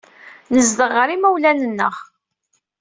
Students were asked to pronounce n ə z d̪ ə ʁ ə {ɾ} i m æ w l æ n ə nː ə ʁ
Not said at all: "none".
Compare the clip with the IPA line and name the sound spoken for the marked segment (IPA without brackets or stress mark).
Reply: ɾ